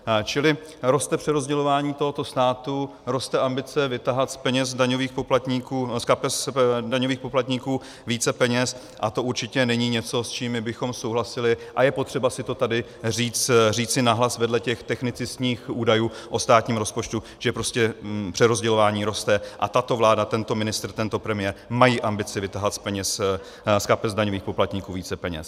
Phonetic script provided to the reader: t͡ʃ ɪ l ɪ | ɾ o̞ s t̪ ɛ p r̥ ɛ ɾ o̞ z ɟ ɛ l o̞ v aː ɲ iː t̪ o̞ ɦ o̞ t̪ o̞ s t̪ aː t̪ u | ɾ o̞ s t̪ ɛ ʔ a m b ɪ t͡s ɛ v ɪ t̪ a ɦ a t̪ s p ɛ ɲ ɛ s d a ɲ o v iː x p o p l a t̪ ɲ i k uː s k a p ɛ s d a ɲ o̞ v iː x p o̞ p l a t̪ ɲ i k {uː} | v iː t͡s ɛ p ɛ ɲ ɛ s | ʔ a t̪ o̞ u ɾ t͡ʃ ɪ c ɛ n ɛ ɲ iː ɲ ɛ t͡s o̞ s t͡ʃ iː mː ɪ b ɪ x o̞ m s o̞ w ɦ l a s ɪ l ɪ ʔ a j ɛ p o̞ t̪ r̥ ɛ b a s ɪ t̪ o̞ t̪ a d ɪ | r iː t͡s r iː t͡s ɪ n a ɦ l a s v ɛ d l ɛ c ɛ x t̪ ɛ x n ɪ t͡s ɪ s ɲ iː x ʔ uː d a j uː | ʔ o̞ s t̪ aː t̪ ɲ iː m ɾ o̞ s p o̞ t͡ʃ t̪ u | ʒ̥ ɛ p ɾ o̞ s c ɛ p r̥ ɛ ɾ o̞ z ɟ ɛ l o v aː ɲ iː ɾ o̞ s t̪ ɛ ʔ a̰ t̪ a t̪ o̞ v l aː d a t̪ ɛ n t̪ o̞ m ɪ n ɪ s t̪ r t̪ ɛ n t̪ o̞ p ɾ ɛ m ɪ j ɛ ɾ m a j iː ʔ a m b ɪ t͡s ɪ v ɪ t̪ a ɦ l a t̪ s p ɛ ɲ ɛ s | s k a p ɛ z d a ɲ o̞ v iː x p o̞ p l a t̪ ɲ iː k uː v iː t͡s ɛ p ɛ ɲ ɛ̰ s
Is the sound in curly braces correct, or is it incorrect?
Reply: correct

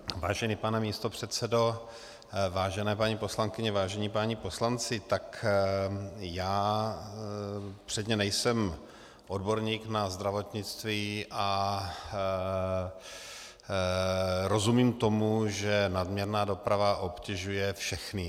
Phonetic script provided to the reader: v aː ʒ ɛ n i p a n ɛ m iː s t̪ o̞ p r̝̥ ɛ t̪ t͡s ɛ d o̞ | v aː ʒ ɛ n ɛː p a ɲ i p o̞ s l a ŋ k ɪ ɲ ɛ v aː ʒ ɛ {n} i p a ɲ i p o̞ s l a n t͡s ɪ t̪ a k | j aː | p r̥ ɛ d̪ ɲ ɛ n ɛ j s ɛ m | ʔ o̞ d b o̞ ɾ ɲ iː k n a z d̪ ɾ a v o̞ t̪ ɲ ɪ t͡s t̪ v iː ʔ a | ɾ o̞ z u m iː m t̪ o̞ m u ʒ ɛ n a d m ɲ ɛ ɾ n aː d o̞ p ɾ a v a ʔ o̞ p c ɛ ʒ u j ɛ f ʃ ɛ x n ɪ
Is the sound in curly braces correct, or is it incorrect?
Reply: incorrect: ɲ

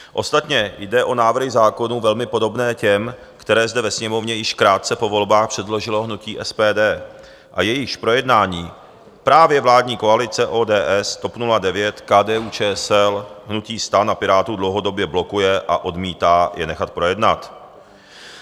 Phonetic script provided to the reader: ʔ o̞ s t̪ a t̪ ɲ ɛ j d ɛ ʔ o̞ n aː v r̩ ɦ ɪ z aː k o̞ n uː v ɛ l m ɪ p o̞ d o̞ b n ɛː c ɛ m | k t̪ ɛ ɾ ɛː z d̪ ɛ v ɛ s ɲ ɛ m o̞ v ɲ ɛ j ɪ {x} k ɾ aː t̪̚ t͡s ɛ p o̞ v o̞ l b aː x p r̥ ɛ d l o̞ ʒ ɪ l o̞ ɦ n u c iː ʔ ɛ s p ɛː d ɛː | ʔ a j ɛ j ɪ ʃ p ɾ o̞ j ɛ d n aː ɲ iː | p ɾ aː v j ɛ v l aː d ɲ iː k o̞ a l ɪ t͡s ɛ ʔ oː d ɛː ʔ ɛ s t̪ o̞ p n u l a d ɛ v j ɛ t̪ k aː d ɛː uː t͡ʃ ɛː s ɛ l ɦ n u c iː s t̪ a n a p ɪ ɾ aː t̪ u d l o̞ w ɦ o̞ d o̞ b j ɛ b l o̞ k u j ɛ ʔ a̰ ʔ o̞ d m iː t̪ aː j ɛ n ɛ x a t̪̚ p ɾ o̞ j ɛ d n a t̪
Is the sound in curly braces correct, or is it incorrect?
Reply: incorrect: ʃ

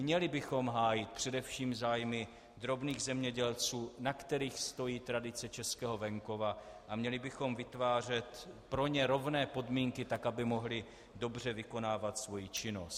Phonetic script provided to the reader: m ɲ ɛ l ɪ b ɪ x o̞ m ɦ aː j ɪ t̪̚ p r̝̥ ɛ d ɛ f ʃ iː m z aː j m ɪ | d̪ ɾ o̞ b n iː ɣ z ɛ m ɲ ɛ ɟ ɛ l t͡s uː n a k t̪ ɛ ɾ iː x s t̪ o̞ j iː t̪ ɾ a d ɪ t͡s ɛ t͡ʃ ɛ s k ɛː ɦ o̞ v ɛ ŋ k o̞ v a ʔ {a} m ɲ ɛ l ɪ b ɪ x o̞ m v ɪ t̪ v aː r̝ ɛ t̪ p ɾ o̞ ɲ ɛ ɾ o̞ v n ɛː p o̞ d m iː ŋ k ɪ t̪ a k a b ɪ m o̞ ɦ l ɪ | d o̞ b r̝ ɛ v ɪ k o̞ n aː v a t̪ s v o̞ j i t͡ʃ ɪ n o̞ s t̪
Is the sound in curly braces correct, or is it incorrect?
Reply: correct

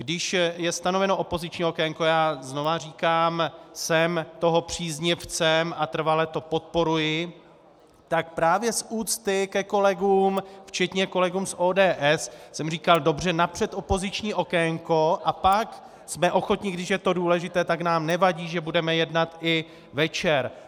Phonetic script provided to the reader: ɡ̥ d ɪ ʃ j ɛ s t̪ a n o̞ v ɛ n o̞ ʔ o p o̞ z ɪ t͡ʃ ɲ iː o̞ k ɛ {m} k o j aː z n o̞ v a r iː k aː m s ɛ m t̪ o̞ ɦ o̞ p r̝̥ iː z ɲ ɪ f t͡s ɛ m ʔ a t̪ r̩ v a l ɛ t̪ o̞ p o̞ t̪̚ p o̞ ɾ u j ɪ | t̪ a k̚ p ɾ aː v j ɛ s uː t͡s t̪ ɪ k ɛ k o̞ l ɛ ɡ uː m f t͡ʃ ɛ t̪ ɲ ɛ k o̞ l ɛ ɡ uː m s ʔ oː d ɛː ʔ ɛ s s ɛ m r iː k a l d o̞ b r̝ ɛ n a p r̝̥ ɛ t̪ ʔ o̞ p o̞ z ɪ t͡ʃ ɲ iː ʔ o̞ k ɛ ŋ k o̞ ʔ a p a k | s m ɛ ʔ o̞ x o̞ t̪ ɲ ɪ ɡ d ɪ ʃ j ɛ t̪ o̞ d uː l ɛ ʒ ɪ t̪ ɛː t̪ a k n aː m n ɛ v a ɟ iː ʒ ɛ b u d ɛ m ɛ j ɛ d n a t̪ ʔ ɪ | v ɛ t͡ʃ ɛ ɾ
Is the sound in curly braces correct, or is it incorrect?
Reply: incorrect: ŋ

